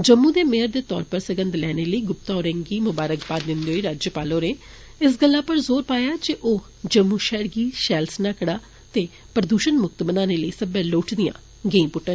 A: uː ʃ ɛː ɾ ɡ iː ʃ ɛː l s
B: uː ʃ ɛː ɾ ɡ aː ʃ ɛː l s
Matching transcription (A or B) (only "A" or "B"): A